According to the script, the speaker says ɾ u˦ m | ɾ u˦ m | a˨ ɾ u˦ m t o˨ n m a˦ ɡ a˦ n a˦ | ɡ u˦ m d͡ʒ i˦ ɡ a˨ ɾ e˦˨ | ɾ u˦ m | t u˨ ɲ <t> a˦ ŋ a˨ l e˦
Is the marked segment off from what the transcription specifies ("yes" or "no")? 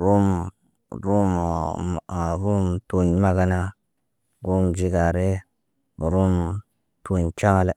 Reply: yes